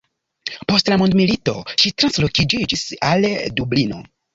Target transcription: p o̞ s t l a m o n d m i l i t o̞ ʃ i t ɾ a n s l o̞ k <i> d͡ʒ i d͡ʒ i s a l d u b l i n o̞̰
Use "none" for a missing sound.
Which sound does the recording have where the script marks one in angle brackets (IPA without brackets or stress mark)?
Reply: i